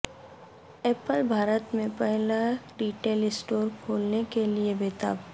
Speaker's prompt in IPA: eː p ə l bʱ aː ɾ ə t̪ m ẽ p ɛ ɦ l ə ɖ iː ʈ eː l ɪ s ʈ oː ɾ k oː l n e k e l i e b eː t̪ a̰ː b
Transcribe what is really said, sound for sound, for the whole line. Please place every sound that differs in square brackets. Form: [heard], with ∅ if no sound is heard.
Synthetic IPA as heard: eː p ə l bʱ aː ɾ ə t̪ m ẽ p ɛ ɦ l [a] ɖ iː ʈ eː l ɪ s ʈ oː ɾ [kʰ] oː l n e k e l i e b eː t̪ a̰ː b